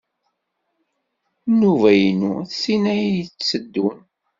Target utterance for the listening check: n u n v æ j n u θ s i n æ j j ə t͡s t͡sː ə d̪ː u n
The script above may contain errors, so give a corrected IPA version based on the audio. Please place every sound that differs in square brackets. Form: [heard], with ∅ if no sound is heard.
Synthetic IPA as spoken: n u [∅] v æ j n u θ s i n æ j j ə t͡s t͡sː ə d̪ː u n